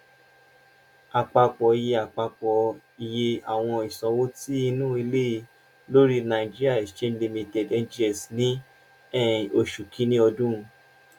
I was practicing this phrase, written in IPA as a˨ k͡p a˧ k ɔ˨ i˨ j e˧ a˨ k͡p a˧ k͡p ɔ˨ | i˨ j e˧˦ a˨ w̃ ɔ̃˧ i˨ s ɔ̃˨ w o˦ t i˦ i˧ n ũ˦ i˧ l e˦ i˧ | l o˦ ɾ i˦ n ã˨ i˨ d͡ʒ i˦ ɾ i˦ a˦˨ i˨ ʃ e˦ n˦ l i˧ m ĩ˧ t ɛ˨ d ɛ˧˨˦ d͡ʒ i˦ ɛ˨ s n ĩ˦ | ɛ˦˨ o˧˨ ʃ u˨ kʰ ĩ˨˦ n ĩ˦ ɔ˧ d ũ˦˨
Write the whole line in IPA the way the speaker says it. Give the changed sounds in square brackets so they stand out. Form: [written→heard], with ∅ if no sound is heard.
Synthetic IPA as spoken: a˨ k͡p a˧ [k→k͡p] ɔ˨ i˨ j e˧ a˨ k͡p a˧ k͡p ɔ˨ | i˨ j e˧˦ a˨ w̃ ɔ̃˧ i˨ s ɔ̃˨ w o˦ t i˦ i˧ n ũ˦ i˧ l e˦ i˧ | l o˦ ɾ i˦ n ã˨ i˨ d͡ʒ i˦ ɾ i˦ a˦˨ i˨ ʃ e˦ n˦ l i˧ m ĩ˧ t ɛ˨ d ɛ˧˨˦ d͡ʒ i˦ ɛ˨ s n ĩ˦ | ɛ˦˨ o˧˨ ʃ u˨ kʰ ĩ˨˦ n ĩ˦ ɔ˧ d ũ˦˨